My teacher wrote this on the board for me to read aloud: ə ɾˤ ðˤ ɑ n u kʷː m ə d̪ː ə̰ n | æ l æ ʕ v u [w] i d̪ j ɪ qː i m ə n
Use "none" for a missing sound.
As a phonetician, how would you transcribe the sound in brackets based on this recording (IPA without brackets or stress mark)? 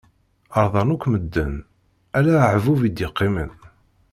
v